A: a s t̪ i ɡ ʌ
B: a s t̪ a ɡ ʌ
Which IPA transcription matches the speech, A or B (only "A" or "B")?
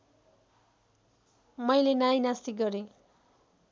A